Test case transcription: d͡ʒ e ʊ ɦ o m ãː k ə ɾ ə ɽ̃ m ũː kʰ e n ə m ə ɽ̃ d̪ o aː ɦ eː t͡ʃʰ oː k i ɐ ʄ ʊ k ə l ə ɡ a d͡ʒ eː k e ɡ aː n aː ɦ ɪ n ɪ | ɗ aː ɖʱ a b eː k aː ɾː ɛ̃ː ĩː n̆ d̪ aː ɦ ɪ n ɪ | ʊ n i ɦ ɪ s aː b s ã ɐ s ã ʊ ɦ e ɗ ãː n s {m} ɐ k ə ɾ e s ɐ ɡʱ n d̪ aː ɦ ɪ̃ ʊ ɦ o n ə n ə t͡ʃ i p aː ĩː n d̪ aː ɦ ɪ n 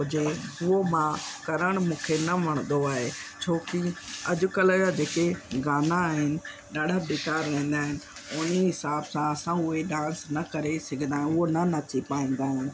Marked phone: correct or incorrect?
incorrect